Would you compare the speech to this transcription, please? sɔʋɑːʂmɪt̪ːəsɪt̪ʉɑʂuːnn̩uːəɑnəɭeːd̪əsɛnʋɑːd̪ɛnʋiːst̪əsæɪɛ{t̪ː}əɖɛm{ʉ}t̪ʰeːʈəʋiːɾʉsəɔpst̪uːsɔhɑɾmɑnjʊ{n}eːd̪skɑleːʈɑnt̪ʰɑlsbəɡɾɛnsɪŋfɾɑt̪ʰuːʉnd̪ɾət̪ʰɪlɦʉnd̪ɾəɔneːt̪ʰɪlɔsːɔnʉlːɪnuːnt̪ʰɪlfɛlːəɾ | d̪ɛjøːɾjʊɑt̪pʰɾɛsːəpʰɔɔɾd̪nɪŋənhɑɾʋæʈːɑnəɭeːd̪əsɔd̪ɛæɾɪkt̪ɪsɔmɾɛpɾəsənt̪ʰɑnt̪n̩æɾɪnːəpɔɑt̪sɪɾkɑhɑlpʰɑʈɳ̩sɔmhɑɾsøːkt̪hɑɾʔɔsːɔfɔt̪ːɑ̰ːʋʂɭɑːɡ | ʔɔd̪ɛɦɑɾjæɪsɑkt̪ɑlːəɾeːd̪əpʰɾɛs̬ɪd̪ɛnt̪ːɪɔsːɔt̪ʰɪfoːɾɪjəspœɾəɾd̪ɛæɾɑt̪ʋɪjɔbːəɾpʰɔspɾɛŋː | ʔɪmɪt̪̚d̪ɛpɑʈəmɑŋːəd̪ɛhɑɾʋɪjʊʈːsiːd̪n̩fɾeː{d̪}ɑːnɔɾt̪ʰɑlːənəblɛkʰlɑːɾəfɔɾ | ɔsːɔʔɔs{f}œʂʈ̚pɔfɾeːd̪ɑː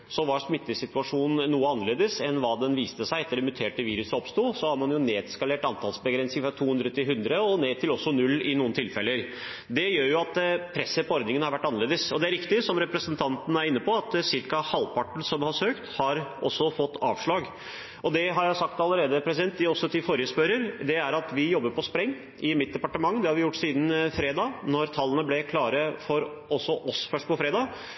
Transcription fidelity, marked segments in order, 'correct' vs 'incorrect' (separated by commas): correct, correct, correct, correct, correct